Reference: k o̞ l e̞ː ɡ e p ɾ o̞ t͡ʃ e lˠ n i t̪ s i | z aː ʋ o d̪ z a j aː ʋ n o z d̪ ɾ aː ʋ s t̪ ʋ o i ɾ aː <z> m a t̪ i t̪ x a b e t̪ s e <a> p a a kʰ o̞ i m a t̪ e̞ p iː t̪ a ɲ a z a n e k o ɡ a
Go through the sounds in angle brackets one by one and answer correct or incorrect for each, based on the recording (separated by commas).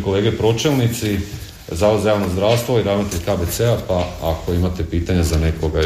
correct, correct